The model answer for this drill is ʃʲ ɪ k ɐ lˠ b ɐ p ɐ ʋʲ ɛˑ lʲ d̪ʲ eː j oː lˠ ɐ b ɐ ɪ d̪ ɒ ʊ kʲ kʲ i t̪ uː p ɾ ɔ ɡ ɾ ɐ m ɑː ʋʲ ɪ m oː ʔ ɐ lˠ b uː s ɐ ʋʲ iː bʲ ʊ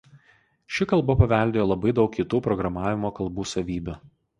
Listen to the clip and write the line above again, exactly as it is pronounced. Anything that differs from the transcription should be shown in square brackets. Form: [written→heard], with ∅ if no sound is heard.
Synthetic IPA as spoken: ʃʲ ɪ k ɐ lˠ b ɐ p ɐ ʋʲ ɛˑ lʲ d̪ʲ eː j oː lˠ ɐ b ɐ ɪ d̪ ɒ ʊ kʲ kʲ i t̪ uː p ɾ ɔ ɡ ɾ ɐ m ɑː ʋʲ ɪ m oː [ʔ→k] ɐ lˠ b uː s ɐ ʋʲ iː bʲ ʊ